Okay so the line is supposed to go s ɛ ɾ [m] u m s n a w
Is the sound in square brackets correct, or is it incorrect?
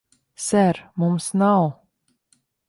correct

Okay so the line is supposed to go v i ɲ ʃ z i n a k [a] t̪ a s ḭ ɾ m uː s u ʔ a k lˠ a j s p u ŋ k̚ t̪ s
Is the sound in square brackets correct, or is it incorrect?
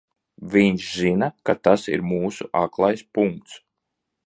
correct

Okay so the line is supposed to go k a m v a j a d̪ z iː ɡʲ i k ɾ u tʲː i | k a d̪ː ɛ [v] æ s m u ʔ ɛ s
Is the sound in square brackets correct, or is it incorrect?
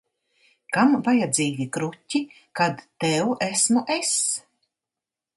incorrect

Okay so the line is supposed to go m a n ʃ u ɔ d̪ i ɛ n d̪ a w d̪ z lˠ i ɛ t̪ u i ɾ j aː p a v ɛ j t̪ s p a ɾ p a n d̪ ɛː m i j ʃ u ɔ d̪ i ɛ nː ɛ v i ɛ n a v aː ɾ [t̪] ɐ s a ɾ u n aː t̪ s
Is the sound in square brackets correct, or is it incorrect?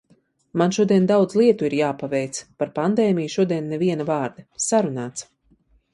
incorrect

